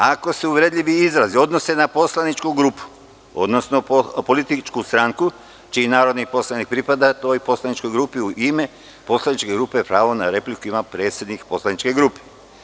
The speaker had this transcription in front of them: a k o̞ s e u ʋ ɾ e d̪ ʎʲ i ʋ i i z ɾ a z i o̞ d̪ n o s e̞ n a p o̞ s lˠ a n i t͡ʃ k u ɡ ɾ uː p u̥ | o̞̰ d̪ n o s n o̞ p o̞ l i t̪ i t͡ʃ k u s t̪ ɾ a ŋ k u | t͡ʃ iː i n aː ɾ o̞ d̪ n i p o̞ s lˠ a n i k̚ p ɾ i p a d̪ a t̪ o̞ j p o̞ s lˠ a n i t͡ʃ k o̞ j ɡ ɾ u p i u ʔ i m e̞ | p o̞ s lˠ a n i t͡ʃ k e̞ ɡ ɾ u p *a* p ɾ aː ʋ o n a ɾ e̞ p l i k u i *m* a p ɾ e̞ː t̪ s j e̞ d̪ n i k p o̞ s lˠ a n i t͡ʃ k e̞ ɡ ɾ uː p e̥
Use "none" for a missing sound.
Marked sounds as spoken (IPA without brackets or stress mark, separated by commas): e, m